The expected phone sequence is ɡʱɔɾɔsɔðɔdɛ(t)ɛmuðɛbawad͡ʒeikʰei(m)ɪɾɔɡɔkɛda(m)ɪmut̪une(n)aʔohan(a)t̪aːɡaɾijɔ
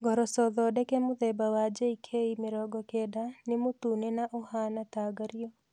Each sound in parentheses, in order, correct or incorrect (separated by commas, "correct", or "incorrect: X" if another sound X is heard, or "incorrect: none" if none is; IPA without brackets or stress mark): incorrect: k, correct, incorrect: n, correct, correct